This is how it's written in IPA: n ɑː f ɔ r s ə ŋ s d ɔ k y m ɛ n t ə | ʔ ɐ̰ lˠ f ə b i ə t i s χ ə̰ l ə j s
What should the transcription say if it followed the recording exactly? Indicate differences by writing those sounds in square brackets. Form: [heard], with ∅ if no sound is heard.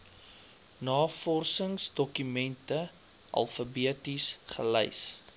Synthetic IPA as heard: n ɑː f ɔ r s ə ŋ s d ɔ k y m ɛ n t ə | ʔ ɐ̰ lˠ f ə b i ə t i s χ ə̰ l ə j s